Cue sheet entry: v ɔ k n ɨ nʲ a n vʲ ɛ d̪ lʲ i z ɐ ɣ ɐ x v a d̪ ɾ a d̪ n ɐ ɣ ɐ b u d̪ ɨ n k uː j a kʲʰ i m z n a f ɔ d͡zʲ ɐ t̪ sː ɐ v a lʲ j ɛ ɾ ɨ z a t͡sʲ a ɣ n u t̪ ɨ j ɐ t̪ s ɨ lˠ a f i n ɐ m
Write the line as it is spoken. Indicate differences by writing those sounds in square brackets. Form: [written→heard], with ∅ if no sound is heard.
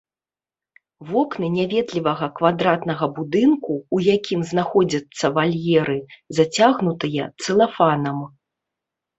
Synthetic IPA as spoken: v ɔ k n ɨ nʲ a [n→∅] vʲ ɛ d̪ lʲ i [z→v] ɐ ɣ ɐ [x→k] v a d̪ ɾ a [d̪→t̪] n ɐ ɣ ɐ b u d̪ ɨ n k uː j a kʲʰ i m z n a [f→x] ɔ d͡zʲ ɐ t̪ sː ɐ v a lʲ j ɛ ɾ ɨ z a t͡sʲ a ɣ n u t̪ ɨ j ɐ t̪ s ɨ lˠ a f [i→a] n ɐ m